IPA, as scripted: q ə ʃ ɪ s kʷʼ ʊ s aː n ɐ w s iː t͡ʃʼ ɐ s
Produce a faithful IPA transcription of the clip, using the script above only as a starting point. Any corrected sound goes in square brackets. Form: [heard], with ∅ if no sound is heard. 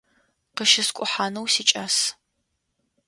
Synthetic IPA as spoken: q ə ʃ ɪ s kʷʼ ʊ [ħ] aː n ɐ w s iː t͡ʃʼ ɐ s